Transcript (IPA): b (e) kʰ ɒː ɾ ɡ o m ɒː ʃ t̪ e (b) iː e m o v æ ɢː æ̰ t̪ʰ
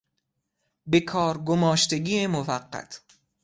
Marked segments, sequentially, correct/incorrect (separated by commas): correct, incorrect